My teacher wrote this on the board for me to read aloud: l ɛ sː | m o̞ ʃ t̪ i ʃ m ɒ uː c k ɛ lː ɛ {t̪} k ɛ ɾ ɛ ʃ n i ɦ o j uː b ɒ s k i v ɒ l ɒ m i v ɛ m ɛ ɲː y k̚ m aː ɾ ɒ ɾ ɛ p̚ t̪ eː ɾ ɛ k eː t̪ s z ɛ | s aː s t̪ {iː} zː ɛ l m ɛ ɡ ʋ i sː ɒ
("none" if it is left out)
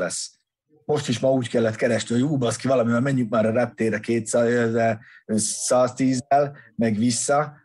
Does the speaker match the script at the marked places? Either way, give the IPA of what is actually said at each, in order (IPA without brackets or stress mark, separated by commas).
t̪, iː